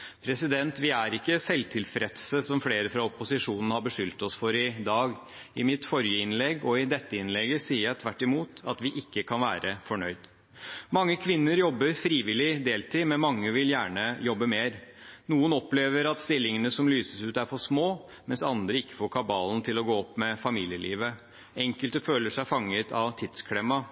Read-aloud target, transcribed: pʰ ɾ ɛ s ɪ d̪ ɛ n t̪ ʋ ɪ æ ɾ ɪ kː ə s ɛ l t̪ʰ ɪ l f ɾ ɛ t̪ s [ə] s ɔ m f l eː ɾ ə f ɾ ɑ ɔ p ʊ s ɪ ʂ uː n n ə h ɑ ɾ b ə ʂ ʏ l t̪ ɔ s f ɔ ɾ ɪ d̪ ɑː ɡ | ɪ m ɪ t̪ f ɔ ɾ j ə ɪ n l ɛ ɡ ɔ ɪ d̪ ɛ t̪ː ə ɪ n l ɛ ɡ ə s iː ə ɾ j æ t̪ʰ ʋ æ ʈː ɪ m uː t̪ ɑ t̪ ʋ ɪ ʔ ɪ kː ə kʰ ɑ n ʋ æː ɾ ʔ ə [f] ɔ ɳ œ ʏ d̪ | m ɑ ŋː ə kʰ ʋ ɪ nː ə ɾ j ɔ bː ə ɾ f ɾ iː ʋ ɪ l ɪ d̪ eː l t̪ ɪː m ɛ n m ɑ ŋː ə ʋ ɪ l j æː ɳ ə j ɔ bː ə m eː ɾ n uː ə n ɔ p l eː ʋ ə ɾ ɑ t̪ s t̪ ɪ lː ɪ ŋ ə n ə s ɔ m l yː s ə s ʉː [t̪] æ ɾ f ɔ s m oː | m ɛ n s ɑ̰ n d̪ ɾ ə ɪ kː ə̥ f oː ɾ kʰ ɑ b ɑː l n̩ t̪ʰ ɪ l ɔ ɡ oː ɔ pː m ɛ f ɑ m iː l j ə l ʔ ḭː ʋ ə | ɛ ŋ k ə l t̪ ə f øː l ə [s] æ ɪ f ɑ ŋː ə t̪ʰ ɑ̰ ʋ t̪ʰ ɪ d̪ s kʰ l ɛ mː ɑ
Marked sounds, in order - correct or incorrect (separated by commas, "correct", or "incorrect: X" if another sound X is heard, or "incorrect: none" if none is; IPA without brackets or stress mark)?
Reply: correct, correct, correct, incorrect: ʂ